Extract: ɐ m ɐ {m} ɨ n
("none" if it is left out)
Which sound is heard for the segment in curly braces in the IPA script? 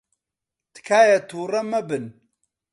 b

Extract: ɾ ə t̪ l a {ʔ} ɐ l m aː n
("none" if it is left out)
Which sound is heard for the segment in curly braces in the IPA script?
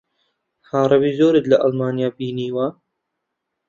ʔ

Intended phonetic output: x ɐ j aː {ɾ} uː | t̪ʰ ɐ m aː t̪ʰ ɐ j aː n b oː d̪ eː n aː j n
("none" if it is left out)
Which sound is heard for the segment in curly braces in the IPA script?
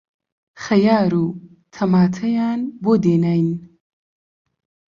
ɾ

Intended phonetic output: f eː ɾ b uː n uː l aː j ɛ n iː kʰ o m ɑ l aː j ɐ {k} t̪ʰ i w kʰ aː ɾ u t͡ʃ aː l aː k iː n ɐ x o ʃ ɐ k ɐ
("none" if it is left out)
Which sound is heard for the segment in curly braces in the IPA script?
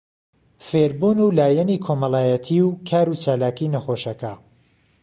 none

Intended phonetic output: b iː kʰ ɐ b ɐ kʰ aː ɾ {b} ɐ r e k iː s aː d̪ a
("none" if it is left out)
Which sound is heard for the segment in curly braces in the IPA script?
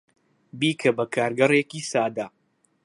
ɡ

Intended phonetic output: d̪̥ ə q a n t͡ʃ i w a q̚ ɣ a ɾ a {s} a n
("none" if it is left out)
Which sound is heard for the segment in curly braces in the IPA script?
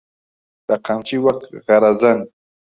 z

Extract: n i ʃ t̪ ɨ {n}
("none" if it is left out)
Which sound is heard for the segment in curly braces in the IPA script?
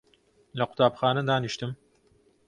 m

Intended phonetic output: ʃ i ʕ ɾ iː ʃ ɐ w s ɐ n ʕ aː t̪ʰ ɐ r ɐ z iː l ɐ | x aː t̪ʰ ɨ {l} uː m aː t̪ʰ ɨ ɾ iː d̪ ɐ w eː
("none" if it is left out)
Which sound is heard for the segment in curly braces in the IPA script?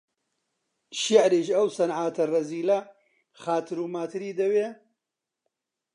ɾ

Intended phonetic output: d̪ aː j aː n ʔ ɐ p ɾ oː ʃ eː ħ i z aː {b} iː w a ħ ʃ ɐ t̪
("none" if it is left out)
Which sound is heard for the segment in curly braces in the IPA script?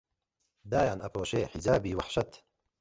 b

